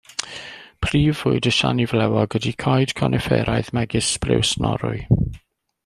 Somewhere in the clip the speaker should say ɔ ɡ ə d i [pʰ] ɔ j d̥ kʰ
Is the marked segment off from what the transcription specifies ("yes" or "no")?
yes